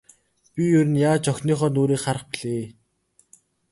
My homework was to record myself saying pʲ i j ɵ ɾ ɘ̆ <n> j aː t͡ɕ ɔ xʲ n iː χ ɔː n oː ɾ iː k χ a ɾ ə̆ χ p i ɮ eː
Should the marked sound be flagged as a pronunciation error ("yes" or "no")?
no